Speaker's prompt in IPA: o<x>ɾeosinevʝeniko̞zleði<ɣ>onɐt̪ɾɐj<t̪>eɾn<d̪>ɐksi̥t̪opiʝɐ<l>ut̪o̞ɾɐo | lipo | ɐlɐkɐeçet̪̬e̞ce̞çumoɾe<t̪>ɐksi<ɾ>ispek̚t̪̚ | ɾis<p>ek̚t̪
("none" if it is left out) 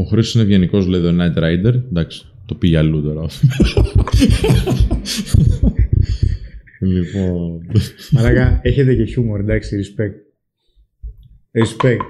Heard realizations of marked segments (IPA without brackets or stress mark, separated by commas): x, ð, d̪, d̪, l, d̪, ɾ, p